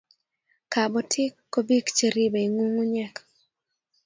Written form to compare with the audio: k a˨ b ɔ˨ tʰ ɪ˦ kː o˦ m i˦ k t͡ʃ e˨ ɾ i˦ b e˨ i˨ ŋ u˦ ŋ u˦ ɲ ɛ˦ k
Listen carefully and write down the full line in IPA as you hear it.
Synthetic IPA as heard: k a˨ b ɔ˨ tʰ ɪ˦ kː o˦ b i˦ k t͡ʃ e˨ ɾ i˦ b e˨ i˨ ŋ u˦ ŋ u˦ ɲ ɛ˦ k

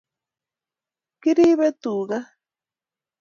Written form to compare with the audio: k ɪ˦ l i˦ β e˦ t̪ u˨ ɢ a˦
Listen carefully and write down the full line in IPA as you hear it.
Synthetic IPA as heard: k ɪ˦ ɾ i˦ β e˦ t̪ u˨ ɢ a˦

